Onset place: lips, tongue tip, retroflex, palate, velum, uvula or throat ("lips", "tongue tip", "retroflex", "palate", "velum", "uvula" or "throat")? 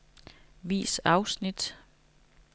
lips